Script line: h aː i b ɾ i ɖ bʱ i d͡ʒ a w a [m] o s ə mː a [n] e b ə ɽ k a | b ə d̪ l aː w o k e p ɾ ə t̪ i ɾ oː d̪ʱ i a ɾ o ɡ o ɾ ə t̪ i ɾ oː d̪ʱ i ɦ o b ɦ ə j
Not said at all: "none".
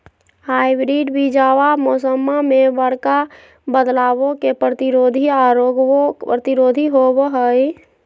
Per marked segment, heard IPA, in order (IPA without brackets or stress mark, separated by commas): m, m